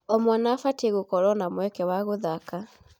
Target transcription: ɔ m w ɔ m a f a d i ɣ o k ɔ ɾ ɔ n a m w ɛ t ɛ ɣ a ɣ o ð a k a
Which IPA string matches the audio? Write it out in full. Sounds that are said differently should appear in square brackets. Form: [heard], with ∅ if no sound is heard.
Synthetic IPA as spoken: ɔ m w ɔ [n] a f a [t] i ɣ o k ɔ ɾ ɔ n a m w ɛ [k] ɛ [w] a ɣ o ð a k a